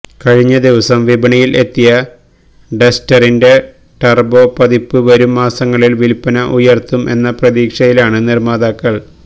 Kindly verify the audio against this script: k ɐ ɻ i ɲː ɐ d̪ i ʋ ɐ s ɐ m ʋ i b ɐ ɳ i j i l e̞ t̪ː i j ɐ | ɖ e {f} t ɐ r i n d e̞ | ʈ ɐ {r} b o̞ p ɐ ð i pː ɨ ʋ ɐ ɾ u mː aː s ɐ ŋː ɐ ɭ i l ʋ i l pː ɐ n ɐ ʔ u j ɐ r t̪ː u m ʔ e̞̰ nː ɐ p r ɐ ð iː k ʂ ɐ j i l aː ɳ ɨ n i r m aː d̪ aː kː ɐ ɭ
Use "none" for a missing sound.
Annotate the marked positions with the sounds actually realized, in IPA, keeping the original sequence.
s, r

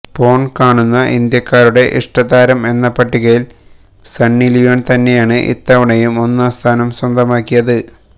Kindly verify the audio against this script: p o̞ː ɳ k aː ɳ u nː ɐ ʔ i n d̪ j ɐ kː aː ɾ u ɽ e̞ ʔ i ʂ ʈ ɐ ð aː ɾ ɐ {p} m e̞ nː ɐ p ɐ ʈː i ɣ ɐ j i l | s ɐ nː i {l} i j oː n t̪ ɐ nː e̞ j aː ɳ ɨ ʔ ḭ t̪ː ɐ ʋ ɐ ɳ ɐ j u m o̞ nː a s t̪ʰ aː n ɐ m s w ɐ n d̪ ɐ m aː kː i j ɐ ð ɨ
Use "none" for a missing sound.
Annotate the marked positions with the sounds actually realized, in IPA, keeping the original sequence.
none, l

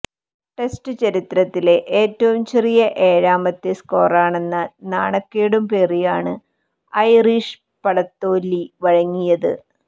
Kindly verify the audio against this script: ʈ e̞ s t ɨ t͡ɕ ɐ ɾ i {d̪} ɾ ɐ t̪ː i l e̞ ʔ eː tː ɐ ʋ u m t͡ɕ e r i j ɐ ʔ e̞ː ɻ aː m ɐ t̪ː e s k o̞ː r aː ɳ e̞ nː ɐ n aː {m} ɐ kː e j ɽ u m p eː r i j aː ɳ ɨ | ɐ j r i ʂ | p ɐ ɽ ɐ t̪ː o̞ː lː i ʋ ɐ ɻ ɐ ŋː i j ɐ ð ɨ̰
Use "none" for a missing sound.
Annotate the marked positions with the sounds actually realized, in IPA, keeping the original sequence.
t̪, ɳ

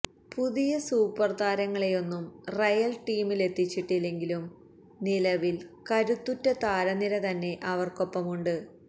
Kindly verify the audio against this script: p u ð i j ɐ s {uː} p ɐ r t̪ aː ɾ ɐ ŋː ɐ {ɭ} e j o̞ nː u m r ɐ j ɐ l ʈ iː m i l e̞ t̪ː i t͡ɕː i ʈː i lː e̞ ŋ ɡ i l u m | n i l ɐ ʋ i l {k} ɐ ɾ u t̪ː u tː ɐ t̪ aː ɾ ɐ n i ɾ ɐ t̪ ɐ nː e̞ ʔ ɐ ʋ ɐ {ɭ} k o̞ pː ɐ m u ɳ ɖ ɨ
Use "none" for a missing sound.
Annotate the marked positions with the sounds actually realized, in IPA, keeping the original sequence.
uː, ɭ, k, r

